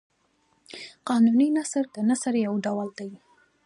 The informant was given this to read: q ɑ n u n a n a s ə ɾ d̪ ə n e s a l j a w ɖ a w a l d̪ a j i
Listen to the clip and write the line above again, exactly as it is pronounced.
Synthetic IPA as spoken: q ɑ n u n i n a s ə ɾ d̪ ə n a s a ɾ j a w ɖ a w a l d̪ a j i